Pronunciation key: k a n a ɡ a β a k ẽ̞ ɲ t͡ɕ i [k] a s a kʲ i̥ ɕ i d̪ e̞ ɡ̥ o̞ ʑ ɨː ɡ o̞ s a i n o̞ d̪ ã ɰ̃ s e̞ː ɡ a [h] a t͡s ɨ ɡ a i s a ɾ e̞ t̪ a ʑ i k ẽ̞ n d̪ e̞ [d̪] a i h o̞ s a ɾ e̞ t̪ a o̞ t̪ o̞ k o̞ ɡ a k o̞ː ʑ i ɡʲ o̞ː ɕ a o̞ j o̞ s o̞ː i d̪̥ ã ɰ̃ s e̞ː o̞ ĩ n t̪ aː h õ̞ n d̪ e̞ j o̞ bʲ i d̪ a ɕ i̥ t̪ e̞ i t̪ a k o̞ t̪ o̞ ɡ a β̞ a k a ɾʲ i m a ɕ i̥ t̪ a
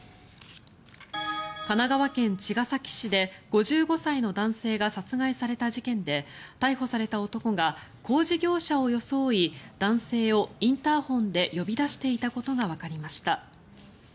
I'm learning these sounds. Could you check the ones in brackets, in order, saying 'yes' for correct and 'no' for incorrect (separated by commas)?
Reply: no, no, no